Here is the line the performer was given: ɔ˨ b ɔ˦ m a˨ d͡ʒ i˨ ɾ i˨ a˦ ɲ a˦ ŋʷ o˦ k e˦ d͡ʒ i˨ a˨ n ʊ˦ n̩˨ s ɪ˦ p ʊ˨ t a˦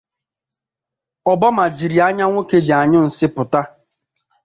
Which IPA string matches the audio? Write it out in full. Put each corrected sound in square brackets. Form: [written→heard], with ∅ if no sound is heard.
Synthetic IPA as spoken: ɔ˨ b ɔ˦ m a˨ d͡ʒ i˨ ɾ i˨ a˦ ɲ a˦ ŋʷ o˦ k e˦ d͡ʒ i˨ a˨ [n→ɲ] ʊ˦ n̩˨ s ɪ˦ p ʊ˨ t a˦